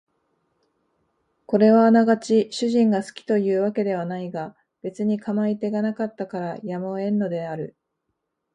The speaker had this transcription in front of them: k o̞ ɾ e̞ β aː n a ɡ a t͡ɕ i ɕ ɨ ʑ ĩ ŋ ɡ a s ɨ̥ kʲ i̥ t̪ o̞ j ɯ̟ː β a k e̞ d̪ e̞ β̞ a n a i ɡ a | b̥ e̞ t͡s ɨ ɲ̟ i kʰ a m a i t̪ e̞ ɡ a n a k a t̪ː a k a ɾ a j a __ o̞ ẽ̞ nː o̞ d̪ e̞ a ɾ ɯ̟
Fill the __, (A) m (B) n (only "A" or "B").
A